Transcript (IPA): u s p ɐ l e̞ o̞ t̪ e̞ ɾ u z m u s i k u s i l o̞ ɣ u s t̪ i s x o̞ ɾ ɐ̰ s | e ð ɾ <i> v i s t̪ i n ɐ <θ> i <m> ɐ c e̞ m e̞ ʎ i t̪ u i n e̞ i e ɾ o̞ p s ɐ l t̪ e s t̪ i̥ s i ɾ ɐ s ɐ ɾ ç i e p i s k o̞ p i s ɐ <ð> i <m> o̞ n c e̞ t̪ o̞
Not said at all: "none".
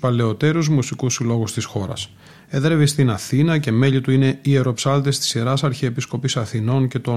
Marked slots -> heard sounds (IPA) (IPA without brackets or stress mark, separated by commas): e, θ, n, θ, n